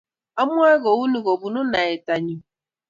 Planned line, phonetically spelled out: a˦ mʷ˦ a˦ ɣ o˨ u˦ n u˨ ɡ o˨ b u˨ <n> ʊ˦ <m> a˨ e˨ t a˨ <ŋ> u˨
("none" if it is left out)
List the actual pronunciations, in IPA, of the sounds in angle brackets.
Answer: n, n, ɲ

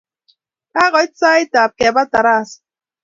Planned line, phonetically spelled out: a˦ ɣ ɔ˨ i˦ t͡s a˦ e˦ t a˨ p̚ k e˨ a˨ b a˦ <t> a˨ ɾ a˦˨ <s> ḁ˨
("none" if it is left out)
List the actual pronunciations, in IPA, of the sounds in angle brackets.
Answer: t, s

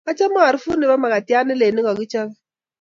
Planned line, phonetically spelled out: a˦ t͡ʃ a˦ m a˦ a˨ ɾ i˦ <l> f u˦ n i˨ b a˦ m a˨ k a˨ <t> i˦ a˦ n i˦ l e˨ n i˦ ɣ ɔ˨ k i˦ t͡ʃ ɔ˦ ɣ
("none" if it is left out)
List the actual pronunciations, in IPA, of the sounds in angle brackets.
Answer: none, t

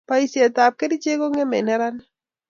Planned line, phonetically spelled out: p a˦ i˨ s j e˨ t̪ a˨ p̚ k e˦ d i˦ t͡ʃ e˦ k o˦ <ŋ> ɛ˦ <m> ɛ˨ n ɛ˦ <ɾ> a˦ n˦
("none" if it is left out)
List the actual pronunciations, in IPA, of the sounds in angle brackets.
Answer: ŋ, m, ɾ

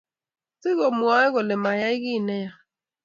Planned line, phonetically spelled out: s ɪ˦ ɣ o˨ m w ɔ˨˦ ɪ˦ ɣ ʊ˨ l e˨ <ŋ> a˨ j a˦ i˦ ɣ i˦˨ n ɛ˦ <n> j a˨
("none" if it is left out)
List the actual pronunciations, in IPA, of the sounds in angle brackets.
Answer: m, none

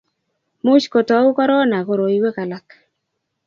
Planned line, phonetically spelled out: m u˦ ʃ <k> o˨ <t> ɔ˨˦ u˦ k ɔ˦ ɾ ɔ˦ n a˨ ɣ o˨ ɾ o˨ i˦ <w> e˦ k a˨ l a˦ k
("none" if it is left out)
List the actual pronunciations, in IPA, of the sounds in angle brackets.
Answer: k, t, w

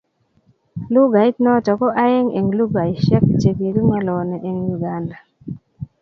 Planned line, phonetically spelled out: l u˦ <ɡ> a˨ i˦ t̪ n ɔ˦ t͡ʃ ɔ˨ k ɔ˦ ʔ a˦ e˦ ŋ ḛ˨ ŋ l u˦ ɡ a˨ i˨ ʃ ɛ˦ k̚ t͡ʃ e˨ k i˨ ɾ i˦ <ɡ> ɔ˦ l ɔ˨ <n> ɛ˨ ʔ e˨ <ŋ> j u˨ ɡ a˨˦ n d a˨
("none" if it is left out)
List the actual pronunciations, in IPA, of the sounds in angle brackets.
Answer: ɡ, ŋ, n, ŋ

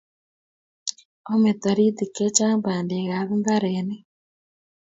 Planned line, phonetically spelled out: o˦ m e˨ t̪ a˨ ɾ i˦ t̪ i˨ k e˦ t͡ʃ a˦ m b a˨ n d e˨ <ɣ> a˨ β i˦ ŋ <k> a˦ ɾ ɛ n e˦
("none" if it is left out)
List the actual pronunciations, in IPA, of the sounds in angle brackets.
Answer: ɣ, ɡ

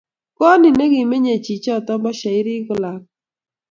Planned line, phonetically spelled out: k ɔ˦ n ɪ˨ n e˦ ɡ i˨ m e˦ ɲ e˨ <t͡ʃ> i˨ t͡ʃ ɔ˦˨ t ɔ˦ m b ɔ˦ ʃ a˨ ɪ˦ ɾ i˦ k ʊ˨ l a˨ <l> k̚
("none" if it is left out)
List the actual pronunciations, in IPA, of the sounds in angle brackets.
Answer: t͡ʃ, none

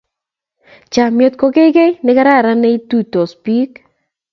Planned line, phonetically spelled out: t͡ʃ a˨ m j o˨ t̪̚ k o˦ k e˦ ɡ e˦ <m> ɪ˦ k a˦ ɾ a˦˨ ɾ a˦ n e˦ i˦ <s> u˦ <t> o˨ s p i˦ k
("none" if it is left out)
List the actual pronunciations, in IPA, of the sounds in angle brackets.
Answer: n, t, t

